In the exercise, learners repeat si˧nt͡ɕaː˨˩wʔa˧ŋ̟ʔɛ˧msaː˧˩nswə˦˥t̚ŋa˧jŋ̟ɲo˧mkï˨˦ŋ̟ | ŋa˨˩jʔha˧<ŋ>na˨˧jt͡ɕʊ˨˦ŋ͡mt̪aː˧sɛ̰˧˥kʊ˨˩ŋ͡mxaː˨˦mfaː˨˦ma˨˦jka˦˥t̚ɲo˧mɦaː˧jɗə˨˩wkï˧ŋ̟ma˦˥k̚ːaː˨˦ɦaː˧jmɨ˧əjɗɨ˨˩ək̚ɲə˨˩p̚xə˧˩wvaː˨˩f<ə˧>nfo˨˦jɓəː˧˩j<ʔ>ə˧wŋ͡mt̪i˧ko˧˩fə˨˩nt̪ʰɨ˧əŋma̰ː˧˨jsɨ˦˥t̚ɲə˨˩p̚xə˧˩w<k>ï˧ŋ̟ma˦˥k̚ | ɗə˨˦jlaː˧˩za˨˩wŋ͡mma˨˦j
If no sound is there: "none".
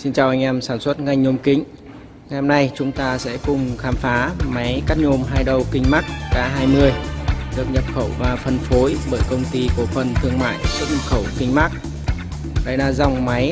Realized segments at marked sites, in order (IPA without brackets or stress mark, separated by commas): m, ə˨˩, k, k